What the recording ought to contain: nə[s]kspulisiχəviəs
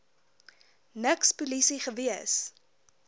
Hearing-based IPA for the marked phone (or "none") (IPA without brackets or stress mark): none